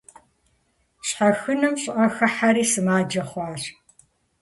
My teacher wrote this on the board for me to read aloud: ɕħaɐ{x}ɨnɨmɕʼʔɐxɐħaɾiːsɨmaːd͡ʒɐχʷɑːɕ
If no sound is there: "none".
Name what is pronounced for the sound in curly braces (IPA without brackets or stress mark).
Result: x